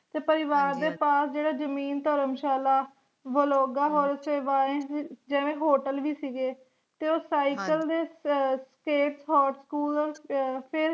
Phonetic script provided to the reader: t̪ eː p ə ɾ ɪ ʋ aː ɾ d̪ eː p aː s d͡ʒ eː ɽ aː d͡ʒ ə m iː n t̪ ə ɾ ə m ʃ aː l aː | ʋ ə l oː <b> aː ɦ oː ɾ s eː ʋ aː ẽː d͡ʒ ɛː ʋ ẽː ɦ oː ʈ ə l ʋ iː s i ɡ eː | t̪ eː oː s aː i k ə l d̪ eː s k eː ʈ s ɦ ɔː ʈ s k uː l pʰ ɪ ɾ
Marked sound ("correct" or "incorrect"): incorrect